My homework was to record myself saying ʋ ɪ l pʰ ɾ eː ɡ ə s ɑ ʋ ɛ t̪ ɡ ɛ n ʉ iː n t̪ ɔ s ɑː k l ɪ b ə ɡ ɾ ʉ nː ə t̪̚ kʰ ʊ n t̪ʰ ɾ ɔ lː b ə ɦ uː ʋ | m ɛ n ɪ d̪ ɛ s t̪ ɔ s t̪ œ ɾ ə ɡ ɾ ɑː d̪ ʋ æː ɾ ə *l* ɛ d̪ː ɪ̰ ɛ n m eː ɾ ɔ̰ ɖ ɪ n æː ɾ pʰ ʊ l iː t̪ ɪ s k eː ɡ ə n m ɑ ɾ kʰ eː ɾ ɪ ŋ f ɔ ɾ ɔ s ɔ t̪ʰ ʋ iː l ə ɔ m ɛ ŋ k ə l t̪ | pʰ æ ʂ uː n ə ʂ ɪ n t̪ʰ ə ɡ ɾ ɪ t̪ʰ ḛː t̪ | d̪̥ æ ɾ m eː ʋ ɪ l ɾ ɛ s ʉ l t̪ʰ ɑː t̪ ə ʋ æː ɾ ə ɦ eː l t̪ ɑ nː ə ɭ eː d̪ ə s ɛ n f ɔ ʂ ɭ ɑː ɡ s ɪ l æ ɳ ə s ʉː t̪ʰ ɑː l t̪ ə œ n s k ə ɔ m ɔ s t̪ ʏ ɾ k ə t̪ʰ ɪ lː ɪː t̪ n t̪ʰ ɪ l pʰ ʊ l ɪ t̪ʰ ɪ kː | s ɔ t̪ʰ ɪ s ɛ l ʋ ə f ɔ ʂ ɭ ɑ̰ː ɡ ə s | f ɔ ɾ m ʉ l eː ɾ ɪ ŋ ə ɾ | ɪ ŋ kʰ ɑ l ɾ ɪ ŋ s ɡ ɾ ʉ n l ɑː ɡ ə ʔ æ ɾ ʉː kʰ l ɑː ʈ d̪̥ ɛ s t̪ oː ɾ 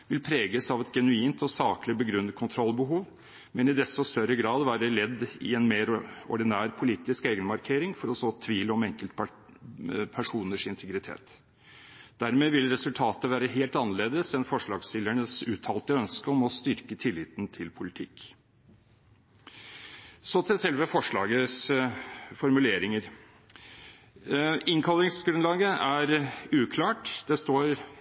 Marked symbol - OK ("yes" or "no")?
yes